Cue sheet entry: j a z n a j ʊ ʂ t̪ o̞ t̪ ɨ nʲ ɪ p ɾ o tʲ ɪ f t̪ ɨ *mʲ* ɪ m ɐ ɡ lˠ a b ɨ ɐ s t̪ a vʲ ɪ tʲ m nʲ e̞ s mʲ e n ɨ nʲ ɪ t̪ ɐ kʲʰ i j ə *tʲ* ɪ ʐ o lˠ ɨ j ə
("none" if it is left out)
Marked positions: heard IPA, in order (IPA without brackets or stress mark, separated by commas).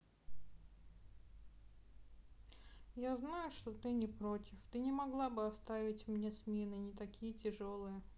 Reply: nʲ, tʲ